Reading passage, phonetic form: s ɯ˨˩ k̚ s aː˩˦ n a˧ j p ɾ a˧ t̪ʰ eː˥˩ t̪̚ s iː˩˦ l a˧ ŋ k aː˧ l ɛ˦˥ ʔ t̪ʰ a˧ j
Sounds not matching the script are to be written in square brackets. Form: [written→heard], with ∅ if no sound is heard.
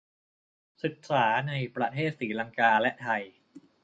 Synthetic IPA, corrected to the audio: s ɯ˨˩ k̚ s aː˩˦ n a˧ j p ɾ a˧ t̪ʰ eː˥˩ t̪̚ s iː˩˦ l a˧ ŋ k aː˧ l ɛ˦˥ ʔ t̪ʰ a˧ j

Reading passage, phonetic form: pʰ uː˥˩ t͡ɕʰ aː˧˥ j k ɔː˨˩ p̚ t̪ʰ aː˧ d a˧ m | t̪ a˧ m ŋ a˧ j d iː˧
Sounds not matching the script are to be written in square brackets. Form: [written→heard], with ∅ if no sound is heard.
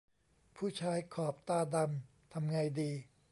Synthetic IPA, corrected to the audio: pʰ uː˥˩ t͡ɕʰ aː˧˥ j [k→kʰ] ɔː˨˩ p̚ [t̪ʰ→t̪] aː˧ d a˧ m | [t̪→t̪ʰ] a˧ m ŋ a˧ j d iː˧

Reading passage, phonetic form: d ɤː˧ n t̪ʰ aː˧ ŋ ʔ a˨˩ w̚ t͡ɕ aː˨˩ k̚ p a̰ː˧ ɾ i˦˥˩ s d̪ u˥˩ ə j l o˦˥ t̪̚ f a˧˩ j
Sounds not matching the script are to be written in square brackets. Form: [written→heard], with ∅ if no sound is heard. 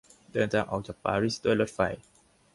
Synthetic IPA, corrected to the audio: d ɤː˧ n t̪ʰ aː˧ ŋ ʔ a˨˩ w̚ t͡ɕ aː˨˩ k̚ p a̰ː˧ ɾ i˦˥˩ s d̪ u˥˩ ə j l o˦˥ t̪̚ f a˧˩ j

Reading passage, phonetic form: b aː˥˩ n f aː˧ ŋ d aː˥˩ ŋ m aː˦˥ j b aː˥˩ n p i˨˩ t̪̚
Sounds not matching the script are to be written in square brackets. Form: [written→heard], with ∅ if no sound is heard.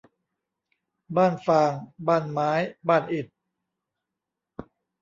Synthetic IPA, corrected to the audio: b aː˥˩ n f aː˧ ŋ [d→b] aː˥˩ [ŋ→n] m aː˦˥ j b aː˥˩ n [p→ʔ] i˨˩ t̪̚

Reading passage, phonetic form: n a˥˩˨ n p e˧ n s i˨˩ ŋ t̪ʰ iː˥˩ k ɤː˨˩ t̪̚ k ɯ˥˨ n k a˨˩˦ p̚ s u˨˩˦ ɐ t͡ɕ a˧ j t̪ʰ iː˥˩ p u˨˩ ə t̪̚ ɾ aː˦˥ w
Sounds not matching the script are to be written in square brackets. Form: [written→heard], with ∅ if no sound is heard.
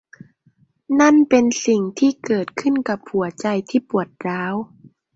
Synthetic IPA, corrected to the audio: n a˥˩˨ n p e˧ n s i˨˩ ŋ t̪ʰ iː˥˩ k ɤː˨˩ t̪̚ [k→kʰ] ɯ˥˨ n k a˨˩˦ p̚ [s→h] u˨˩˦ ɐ t͡ɕ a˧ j t̪ʰ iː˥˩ p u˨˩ ə t̪̚ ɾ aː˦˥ w

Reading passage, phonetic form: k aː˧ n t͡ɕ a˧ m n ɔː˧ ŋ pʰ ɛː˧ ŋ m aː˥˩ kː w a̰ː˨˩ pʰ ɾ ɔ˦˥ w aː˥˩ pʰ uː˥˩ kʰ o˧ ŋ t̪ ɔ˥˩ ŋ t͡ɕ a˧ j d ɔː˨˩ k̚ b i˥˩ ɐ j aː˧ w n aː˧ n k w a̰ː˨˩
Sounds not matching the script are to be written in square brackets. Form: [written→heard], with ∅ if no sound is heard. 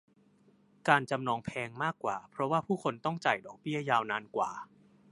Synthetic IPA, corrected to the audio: k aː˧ n t͡ɕ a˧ m n ɔː˧ ŋ pʰ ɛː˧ ŋ m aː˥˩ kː w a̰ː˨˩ pʰ ɾ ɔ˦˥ w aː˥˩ pʰ uː˥˩ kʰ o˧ [ŋ→n] t̪ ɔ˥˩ ŋ t͡ɕ [a˧→a˨˩] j d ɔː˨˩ k̚ b i˥˩ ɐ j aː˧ w n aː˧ n k w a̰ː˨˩

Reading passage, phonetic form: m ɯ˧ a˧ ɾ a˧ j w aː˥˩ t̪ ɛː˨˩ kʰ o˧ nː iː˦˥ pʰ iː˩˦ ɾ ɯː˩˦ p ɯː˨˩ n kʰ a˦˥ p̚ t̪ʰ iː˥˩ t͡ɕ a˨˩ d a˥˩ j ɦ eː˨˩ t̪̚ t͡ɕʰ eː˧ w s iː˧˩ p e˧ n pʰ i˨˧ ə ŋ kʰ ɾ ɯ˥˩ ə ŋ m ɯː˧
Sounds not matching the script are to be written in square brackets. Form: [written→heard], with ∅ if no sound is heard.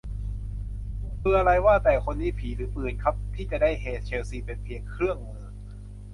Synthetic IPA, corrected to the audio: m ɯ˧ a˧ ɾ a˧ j w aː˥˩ t̪ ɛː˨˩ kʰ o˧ nː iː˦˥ pʰ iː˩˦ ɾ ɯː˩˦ p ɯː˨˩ n kʰ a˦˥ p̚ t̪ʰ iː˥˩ t͡ɕ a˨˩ d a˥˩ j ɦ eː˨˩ t̪̚ t͡ɕʰ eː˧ w s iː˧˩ p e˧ n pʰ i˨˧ ə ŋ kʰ ɾ ɯ˥˩ ə ŋ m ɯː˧

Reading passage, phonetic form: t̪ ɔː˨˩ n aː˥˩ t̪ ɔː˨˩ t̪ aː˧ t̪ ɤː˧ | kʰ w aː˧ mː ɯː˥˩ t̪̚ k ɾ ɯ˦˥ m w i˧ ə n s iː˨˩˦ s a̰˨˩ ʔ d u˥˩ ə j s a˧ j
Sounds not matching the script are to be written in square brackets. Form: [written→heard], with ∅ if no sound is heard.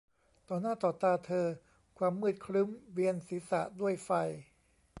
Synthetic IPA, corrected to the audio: t̪ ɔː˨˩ n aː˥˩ t̪ ɔː˨˩ t̪ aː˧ [t̪→t̪ʰ] ɤː˧ | kʰ w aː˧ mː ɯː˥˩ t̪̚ [k→kʰ] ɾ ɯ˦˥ m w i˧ ə n s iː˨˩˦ s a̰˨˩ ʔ d u˥˩ ə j [s→f] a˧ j

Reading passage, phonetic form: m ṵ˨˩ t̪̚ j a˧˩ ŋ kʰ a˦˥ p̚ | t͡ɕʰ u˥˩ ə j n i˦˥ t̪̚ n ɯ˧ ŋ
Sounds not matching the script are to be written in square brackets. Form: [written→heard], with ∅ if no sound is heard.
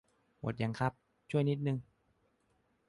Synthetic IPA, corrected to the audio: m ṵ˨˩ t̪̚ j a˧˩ ŋ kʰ a˦˥ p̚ | t͡ɕʰ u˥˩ ə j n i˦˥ t̪̚ n ɯ˧ ŋ

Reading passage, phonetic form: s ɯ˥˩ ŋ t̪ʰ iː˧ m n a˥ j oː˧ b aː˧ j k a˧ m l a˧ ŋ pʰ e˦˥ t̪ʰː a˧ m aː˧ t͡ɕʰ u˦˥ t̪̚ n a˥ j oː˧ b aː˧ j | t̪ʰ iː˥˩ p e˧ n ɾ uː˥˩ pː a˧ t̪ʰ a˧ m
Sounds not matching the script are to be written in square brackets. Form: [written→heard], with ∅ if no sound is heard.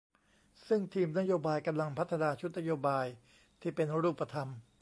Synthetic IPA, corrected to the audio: s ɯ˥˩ ŋ t̪ʰ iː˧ m n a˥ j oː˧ b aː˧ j k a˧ m l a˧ ŋ pʰ [e˦˥→a˦˥] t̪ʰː a˧ [m→n] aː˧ t͡ɕʰ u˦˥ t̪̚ n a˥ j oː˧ b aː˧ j | t̪ʰ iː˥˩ p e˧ n ɾ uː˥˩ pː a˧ t̪ʰ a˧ m

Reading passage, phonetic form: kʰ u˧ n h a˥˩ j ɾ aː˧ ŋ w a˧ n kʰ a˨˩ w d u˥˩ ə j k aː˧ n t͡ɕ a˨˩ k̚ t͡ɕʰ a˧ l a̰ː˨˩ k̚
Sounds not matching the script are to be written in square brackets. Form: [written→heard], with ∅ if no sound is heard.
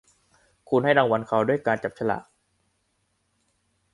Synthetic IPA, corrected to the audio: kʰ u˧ n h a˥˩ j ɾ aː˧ ŋ w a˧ n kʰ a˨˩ w d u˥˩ ə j k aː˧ n t͡ɕ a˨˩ [k̚→p̚] t͡ɕʰ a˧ l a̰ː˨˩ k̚

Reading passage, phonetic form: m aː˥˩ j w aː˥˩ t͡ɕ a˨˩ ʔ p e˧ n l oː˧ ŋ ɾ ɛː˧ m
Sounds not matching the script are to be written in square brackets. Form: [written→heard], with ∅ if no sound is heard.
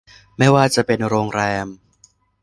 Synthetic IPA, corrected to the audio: m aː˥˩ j w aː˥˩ t͡ɕ a˨˩ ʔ p e˧ n [l→ɾ] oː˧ ŋ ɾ ɛː˧ m

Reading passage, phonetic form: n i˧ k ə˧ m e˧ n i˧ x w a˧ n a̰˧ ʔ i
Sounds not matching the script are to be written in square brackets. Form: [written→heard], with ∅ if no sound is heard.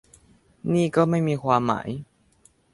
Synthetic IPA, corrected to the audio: n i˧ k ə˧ m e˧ [n→m] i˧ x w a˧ [n→m] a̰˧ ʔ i

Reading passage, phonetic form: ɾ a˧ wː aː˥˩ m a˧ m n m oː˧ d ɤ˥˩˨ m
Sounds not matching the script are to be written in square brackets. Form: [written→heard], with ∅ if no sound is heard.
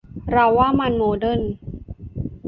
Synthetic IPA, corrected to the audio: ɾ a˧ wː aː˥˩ m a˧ [m→∅] n m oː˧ d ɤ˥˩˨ [m→n]

